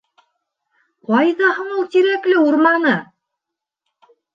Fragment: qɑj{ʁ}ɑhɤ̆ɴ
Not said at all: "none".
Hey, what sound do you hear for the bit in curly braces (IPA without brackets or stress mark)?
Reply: ð